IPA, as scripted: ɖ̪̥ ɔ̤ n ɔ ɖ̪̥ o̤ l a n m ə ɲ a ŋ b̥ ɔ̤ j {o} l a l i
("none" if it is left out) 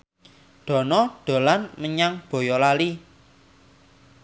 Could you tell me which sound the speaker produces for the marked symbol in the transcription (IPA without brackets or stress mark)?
ɔ